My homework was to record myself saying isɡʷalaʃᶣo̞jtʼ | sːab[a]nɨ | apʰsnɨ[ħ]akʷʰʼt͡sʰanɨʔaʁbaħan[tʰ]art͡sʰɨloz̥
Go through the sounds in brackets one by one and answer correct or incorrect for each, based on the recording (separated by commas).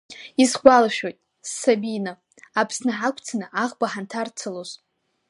incorrect, correct, correct